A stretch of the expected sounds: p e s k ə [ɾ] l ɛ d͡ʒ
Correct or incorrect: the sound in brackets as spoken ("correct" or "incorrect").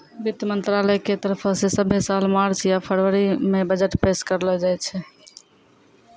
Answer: correct